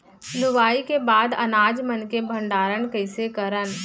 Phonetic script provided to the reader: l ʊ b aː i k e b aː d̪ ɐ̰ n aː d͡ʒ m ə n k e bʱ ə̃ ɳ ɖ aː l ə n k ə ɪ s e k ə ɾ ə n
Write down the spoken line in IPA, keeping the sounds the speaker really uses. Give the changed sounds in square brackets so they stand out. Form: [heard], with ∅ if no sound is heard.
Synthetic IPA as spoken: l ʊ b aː i k e b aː d̪ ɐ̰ n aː d͡ʒ m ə n k e bʱ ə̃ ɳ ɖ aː [ɾ] ə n k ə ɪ s e k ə ɾ ə n